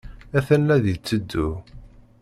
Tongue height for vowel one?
low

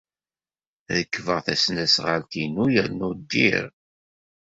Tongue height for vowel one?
mid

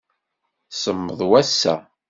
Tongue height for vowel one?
mid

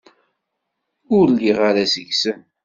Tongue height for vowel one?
high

